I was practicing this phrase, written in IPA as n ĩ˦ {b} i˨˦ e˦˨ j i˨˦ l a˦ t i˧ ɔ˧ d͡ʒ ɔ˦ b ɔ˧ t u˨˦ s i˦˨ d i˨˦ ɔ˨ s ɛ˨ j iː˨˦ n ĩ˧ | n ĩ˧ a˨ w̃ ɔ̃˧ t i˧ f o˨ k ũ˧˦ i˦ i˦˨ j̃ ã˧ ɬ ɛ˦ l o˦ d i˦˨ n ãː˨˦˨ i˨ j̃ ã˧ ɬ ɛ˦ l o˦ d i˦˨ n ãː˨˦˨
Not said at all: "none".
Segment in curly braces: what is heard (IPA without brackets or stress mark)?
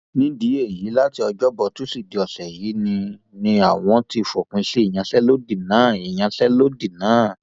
d